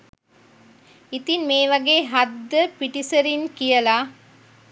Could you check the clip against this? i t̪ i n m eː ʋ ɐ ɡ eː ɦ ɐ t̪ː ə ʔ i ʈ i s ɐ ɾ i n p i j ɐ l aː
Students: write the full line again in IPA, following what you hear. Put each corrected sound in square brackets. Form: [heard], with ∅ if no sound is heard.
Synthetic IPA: i t̪ i n m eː ʋ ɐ ɡ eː ɦ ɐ [d̪ː] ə [p] i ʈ i s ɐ ɾ i n [k] i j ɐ l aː